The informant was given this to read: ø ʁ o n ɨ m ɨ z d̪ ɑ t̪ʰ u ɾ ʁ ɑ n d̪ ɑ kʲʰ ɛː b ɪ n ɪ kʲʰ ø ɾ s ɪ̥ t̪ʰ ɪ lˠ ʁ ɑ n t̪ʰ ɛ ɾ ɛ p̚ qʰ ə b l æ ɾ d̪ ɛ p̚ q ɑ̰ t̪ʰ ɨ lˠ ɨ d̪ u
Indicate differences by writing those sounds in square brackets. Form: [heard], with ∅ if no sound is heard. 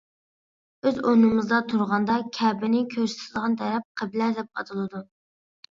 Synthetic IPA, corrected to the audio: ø [z] o n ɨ m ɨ z d̪ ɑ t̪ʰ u ɾ ʁ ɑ n d̪ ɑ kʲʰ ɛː b ɪ n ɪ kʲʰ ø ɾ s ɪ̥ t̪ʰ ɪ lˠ ʁ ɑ n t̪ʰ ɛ ɾ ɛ p̚ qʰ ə b l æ ɾ d̪ ɛ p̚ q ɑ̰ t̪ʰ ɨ lˠ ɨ d̪ u